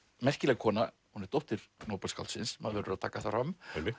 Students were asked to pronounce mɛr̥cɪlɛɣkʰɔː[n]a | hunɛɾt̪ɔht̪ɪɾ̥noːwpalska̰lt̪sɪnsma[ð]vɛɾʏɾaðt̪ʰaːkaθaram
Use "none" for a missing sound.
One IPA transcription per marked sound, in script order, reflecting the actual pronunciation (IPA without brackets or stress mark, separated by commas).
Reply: n, ð